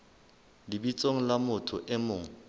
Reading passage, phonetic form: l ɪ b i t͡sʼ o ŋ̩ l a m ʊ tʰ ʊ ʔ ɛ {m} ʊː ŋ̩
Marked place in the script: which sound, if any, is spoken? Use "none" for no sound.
m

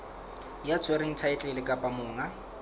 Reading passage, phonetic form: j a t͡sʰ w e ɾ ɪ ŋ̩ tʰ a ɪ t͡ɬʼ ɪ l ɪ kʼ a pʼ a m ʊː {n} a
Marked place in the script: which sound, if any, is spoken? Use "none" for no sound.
ŋ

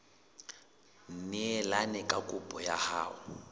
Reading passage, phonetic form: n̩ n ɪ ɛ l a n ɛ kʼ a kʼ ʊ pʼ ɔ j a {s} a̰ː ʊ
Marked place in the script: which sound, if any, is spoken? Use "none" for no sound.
h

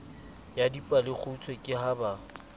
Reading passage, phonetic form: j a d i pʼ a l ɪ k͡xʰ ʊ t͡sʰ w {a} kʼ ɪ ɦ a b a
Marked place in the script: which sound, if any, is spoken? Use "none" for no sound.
e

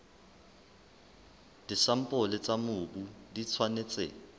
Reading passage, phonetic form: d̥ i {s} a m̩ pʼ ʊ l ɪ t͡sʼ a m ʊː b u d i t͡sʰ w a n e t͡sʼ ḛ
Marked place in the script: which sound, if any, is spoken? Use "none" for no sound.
s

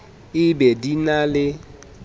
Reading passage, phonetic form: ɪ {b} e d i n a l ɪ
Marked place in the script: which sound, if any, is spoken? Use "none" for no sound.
b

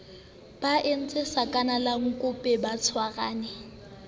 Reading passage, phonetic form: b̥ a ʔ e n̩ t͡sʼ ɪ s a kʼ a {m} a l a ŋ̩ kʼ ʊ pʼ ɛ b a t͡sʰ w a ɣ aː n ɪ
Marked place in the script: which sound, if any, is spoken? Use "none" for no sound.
n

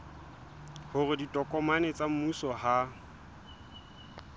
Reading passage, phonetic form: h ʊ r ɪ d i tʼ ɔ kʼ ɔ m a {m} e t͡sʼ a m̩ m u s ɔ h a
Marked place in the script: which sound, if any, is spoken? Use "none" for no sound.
n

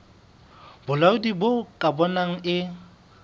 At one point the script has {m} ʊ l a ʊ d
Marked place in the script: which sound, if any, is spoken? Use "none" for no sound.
b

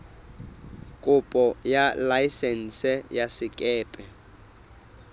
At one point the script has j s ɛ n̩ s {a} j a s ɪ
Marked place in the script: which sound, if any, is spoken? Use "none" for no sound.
ɛ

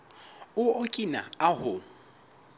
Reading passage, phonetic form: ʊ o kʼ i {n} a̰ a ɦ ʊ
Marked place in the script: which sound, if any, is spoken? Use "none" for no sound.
n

